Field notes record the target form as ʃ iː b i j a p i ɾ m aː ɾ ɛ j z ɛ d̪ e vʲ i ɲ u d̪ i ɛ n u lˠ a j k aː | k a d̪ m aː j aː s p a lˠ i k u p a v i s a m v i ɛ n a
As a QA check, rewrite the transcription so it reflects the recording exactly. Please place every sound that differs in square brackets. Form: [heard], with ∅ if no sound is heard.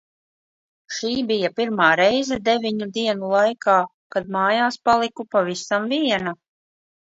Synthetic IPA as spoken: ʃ iː b i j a p i ɾ m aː ɾ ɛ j z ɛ d̪ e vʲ i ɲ u d̪ i ɛ n u lˠ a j k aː | k a d̪ m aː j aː s p a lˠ i k u p a v i s a m v i ɛ n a